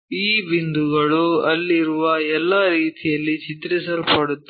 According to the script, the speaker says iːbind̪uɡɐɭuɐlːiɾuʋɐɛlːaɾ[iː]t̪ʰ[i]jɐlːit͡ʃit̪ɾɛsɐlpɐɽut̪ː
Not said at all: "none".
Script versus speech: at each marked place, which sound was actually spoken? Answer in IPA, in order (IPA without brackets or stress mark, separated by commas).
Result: iː, i